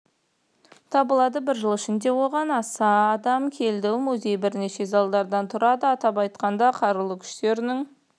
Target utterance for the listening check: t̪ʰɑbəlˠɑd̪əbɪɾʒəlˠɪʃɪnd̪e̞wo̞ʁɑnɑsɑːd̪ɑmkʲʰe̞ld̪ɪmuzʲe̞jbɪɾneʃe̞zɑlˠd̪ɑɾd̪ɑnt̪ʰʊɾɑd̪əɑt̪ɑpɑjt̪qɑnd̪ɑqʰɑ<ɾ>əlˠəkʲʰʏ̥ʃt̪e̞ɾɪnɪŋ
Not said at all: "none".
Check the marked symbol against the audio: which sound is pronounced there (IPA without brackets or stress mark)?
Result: ɾ